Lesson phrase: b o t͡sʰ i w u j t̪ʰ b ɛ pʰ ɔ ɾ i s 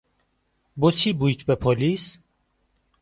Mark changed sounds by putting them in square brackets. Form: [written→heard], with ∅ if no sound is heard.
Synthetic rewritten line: b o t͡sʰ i [w→b] u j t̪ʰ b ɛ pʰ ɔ [ɾ→l] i s